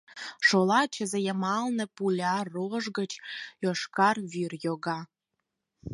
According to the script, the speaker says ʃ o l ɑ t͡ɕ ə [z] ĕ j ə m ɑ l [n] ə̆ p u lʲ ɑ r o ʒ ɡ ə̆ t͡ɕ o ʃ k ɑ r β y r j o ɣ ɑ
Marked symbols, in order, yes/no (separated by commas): yes, yes